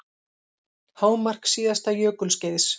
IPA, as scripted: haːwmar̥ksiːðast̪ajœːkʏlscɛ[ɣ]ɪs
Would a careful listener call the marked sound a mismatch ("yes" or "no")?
yes